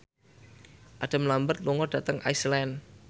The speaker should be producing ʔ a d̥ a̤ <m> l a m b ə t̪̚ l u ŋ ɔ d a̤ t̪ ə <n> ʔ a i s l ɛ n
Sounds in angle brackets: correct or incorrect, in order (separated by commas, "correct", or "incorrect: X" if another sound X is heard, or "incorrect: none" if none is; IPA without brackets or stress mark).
correct, incorrect: ŋ